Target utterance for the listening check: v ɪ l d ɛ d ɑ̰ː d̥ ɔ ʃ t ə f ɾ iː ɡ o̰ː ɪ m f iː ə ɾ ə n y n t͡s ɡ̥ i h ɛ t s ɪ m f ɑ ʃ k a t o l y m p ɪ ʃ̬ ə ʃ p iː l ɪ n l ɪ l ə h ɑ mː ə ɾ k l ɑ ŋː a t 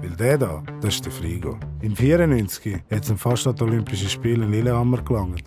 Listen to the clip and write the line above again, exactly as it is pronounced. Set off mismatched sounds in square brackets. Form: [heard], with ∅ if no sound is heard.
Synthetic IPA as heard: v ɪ l d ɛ d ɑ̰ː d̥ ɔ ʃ t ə f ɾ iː ɡ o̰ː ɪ m f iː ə ɾ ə n y n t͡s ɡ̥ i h ɛ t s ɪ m f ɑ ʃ [t] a t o l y m p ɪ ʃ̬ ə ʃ p iː l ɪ n l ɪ l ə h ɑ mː ə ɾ k l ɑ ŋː [ə] t